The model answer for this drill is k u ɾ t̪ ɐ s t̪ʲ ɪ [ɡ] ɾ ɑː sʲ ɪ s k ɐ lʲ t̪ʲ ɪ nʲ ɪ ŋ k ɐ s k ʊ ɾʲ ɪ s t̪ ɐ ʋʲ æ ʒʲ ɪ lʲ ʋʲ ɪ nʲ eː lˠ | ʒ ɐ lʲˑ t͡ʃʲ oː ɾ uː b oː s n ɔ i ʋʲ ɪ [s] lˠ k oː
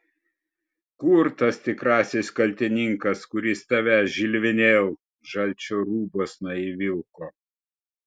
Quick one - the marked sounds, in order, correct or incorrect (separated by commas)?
incorrect, incorrect